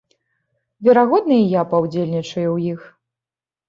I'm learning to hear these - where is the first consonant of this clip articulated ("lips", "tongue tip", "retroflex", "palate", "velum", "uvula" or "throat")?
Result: lips